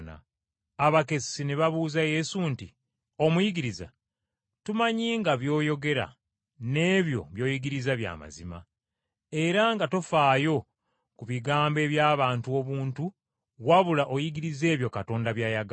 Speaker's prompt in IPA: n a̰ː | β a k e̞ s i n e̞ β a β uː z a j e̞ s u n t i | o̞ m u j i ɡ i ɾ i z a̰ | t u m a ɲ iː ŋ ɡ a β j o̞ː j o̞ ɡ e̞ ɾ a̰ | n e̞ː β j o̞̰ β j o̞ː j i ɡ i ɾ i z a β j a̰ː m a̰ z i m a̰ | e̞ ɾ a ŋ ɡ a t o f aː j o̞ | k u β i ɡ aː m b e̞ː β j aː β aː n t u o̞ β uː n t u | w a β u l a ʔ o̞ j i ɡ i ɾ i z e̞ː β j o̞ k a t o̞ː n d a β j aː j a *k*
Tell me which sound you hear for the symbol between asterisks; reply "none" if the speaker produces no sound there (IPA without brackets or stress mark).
ɡ